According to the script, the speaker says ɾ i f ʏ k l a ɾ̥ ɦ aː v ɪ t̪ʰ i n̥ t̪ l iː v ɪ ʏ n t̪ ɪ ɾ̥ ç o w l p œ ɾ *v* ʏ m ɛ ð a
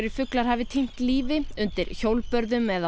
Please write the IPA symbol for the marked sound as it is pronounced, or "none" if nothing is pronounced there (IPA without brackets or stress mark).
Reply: ð